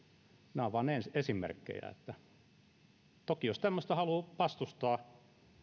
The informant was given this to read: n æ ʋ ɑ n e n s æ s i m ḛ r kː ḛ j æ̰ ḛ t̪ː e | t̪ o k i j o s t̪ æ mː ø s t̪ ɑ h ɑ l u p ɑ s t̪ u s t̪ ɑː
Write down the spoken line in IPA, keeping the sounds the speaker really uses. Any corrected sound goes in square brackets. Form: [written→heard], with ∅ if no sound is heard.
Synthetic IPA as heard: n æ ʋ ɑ n e n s [æ→e] s i m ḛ r kː ḛ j æ̰ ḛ t̪ː [e→æ] | t̪ o k i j o s t̪ æ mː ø s t̪ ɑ h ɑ l u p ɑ s t̪ u s t̪ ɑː